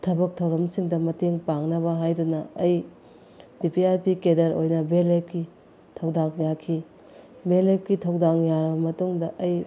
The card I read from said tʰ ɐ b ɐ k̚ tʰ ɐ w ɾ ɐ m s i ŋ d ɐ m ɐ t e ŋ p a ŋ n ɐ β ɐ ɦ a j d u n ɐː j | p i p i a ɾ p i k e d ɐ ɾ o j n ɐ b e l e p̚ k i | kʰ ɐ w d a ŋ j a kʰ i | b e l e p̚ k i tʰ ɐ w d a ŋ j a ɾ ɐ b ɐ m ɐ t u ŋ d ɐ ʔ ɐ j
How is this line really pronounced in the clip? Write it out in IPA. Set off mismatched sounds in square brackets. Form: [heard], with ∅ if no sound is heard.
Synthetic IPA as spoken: tʰ ɐ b ɐ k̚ tʰ ɐ w ɾ ɐ m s i ŋ d ɐ m ɐ t e ŋ p a ŋ n ɐ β ɐ ɦ a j d u n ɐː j | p i p i a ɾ p i k e d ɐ ɾ o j n ɐ b e l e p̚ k i | [tʰ] ɐ w d a ŋ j a kʰ i | b e l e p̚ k i tʰ ɐ w d a ŋ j a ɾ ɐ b ɐ m ɐ t u ŋ d ɐ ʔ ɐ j

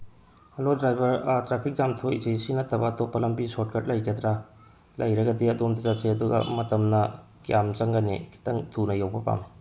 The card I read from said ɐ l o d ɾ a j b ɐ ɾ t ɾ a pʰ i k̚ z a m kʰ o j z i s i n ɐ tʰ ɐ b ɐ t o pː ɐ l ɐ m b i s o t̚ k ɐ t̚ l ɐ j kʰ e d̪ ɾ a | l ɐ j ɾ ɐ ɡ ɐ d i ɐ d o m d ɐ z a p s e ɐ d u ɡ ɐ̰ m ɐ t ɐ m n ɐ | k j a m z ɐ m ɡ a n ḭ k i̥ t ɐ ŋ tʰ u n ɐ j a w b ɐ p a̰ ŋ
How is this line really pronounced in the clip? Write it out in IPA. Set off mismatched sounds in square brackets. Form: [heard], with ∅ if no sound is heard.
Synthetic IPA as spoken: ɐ l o d ɾ a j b ɐ ɾ t ɾ a pʰ i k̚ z a m [tʰ] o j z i s i n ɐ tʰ ɐ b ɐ t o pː ɐ l ɐ m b i s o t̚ k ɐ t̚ l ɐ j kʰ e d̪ ɾ a | l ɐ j ɾ ɐ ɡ ɐ d i ɐ d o m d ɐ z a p s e ɐ d u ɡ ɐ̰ m ɐ t ɐ m n ɐ | k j a m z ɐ [ŋ] ɡ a n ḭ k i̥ t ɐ ŋ tʰ u n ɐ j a w b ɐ p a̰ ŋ

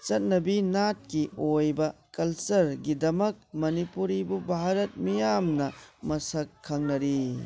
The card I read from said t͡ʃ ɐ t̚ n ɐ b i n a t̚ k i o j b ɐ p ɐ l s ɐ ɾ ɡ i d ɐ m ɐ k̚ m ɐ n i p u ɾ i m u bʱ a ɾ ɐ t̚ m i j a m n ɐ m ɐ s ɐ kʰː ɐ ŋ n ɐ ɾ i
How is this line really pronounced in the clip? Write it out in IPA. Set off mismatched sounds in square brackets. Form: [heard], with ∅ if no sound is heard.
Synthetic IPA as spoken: t͡ʃ ɐ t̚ n ɐ b i n a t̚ k i o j b ɐ [k] ɐ l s ɐ ɾ ɡ i d ɐ m ɐ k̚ m ɐ n i p u ɾ i [b] u bʱ a ɾ ɐ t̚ m i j a m n ɐ m ɐ s ɐ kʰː ɐ ŋ n ɐ ɾ i

